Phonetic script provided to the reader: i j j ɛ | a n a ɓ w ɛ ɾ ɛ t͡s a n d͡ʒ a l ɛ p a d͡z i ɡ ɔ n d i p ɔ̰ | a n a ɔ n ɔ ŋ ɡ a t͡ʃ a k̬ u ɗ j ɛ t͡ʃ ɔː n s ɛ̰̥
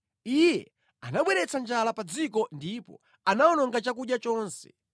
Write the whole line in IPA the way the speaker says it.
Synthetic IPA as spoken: i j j ɛ | a n a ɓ w ɛ ɾ ɛ t͡s a n d͡ʒ a l a p a d͡z i k ɔ n d i p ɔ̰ | a n a ɔ n ɔ ŋ ɡ a t͡ʃ a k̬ u ɗ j a t͡ʃ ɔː n s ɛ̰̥